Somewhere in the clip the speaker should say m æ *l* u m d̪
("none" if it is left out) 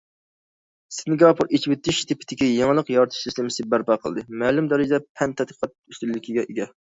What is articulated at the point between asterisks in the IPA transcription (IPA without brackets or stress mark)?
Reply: l